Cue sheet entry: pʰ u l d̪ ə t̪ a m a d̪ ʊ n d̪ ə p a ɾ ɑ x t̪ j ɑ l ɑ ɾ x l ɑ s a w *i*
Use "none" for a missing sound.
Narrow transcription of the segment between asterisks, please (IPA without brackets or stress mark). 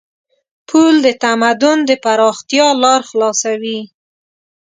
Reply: i